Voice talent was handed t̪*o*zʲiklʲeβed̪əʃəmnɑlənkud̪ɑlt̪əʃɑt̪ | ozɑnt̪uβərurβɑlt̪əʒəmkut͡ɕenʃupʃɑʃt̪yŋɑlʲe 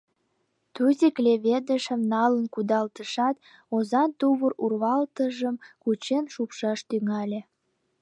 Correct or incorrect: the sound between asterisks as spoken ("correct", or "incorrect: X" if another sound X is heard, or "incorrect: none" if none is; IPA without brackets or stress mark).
incorrect: u